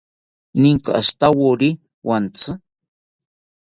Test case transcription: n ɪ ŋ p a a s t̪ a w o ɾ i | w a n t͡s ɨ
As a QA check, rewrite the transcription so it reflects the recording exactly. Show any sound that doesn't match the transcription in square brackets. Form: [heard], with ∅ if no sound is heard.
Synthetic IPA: n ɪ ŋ [k] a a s t̪ a w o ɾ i | w a n t͡s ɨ